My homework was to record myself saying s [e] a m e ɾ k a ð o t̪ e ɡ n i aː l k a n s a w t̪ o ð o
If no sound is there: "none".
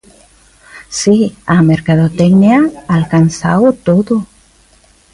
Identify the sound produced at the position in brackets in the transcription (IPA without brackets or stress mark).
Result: i